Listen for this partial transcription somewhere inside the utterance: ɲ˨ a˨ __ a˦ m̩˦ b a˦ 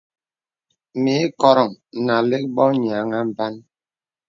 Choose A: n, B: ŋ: B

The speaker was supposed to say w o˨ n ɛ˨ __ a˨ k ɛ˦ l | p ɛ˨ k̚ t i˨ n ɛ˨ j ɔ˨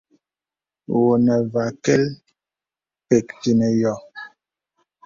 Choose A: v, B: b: A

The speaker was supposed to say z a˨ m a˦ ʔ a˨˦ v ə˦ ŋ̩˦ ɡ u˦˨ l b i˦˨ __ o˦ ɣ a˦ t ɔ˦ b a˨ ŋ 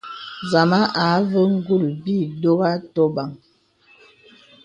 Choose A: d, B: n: A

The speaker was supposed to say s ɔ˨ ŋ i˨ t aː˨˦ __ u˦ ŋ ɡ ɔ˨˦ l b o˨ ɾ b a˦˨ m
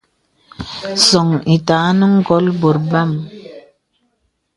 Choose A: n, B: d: A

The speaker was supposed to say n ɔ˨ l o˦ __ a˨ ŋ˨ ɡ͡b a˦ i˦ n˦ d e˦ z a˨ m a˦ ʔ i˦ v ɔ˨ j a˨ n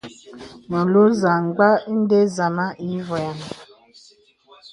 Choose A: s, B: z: B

